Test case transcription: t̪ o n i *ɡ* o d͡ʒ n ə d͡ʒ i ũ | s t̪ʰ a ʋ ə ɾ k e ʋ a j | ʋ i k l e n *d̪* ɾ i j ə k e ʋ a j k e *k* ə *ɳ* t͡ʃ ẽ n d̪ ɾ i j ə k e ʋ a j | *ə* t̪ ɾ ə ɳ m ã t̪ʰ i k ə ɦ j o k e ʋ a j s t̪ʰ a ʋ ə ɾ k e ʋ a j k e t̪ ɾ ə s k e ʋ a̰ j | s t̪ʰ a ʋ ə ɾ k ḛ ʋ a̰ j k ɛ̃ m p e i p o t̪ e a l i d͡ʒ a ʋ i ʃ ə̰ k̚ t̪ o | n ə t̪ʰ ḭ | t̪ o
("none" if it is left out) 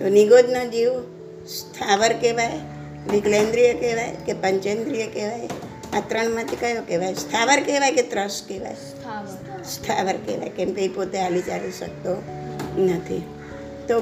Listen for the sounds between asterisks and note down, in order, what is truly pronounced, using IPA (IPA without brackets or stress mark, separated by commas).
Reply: ɡ, d̪, p, ɲ, a